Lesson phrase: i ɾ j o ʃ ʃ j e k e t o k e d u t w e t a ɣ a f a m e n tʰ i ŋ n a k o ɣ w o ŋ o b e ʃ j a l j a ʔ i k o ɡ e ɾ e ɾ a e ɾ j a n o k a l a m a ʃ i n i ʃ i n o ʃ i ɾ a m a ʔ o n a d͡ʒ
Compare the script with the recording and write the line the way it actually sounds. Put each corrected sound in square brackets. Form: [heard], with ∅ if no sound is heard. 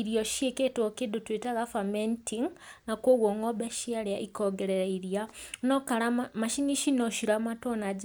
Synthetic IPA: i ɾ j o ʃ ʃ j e k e t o k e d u t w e t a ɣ a f a m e n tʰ i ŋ n a k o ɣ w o ŋ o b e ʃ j a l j a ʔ i k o ɡ e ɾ e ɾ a [i] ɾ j a n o k a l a m a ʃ i n i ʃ i n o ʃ i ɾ a m a [t] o n a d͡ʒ